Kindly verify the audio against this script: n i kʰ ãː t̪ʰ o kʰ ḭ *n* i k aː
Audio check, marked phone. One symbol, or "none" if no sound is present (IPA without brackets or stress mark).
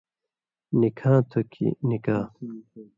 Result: n